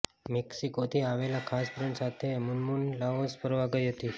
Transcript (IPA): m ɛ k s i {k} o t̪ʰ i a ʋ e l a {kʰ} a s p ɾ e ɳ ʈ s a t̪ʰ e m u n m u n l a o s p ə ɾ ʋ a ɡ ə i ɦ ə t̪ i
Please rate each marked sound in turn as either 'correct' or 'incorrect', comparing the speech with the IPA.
correct, correct

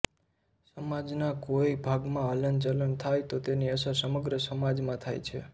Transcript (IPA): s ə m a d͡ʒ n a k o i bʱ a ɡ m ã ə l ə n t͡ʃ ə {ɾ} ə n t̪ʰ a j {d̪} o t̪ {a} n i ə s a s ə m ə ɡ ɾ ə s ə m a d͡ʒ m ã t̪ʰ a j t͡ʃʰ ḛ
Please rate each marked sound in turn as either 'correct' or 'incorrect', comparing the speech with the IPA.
incorrect: l, incorrect: t̪, incorrect: e

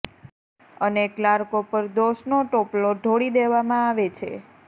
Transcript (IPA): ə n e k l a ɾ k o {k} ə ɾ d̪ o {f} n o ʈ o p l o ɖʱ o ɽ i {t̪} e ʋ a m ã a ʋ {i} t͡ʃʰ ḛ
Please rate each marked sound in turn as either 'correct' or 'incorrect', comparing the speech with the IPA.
incorrect: p, incorrect: ʃ, incorrect: d̪, incorrect: e

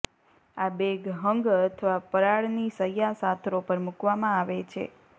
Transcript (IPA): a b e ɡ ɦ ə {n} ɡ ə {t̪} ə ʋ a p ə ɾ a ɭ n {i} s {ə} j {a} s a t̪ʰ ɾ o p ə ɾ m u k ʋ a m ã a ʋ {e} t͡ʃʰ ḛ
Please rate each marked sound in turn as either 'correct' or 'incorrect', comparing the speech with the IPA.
incorrect: ŋ, incorrect: t̪ʰ, correct, correct, correct, correct

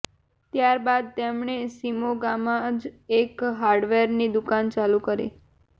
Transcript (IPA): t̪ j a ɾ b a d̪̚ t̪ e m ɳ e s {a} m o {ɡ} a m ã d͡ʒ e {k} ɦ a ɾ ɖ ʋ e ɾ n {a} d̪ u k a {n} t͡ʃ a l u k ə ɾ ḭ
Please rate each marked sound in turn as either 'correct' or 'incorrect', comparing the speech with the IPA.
incorrect: i, correct, correct, incorrect: i, correct

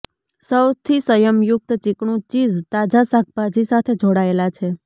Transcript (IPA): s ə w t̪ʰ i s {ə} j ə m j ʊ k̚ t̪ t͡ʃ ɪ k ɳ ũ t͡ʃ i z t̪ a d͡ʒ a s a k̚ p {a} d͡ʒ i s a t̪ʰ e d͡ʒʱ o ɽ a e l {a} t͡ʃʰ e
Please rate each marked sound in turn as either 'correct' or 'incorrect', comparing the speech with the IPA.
correct, correct, correct

